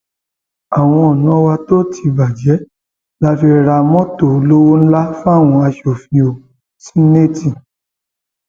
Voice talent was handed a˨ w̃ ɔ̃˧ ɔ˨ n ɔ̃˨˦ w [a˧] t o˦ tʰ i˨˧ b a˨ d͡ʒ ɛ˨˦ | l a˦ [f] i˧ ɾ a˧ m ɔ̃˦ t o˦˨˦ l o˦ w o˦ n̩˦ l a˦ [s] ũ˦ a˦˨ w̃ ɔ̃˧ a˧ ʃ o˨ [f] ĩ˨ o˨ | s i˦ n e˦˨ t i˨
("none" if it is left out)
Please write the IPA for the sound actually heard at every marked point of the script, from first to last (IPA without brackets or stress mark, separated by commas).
a˧, f, f, f